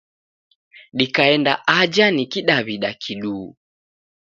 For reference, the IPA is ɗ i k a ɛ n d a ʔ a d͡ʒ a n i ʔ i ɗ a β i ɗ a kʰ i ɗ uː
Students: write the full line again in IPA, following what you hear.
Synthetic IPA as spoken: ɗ i k a ɛ n d a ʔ a d͡ʒ a n i k i ɗ a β i ɗ a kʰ i ɗ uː